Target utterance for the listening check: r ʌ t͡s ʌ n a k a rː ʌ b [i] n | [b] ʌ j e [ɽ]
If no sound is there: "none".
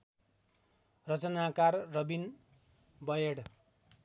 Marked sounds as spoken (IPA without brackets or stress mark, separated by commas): i, b, ɽ